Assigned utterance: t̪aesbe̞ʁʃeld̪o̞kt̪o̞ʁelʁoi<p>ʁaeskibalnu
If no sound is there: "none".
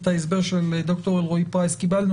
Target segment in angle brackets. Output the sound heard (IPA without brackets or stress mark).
p